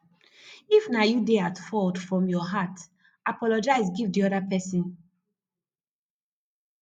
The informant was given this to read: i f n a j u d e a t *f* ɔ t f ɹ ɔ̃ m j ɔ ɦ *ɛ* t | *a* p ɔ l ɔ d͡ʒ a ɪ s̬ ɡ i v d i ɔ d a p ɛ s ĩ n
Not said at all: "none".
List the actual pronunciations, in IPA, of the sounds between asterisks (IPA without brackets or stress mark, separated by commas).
f, a, a